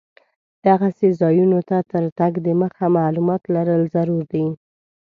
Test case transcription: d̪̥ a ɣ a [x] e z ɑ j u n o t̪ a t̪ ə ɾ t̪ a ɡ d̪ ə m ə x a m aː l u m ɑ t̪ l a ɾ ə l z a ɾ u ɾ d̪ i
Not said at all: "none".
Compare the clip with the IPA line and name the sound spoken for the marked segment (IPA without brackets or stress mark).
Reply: s